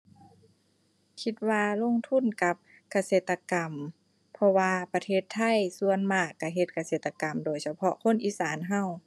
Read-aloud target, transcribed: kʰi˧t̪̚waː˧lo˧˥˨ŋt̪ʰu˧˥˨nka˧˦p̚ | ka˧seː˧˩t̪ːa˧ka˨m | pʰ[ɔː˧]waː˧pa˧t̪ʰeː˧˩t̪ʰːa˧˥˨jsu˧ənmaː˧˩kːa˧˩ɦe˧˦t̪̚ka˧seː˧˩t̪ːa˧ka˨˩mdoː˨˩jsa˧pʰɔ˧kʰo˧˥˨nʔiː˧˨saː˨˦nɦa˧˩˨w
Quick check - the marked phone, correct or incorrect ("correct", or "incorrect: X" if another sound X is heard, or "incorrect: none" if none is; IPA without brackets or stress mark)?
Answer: incorrect: ɔ˧